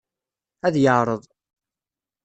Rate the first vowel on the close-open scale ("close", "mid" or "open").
open